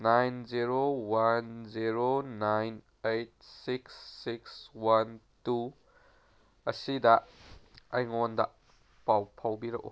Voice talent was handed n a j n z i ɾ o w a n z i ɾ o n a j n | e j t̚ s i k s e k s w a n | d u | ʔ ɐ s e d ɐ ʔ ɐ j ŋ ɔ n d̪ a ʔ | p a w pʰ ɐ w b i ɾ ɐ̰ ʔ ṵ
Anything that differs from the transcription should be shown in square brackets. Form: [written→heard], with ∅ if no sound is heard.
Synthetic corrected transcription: n a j n z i ɾ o w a n z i ɾ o n a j n | e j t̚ s i k s [e→i] k s w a n | [d→t] u | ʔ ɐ s [e→i] d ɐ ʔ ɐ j ŋ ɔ n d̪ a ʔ | p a w pʰ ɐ w b i ɾ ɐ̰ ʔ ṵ